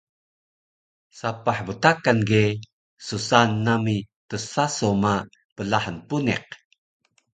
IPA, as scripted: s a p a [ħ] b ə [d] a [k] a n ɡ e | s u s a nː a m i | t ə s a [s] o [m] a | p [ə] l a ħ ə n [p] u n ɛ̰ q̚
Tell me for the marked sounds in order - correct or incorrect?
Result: correct, incorrect: t, correct, correct, correct, correct, correct

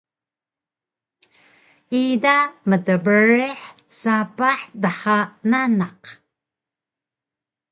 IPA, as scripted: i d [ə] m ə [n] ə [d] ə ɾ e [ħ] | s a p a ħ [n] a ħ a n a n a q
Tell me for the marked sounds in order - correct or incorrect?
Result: incorrect: a, incorrect: d, incorrect: b, correct, incorrect: d

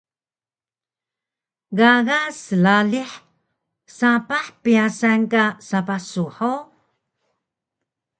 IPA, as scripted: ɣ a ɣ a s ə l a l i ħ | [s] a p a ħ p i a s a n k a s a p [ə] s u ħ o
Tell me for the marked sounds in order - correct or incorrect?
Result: correct, incorrect: a

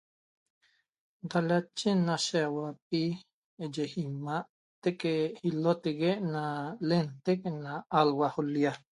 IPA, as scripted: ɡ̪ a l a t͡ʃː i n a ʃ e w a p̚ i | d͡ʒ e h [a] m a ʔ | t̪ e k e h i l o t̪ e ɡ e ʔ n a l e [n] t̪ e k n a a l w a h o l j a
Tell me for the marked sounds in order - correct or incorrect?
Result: incorrect: i, correct

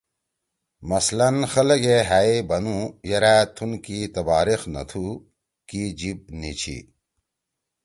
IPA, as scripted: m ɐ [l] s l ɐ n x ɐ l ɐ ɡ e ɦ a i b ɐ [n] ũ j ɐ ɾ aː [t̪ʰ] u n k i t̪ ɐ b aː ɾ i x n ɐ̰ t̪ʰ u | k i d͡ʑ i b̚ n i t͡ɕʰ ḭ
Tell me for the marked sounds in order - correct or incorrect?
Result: incorrect: none, correct, correct

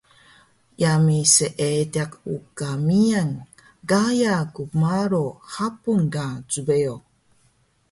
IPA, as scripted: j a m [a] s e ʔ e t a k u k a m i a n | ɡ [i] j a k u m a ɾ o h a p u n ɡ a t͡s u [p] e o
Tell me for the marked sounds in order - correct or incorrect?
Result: incorrect: i, incorrect: a, incorrect: b

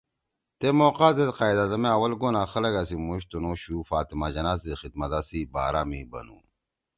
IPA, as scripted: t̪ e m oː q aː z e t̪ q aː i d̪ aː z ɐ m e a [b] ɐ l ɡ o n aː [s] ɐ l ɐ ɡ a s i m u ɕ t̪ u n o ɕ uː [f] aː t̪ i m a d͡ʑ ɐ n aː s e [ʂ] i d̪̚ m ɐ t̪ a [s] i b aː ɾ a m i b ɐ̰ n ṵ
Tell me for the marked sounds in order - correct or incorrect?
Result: incorrect: w, incorrect: x, correct, incorrect: x, correct

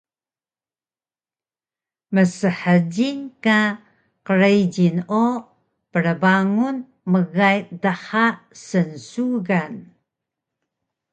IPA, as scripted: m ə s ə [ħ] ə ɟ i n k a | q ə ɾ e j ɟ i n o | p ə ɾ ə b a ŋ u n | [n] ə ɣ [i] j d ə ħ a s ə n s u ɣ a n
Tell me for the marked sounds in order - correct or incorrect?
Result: correct, incorrect: m, incorrect: a

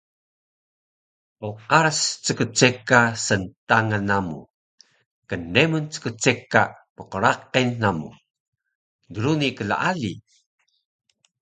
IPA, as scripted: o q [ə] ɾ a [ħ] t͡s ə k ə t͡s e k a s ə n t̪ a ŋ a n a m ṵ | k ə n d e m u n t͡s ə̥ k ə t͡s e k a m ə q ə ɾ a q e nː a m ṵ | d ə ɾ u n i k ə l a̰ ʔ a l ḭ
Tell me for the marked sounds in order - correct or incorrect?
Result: incorrect: a, incorrect: s

